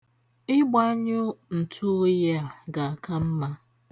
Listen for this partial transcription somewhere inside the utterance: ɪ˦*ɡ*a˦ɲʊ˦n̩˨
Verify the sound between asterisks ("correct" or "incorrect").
incorrect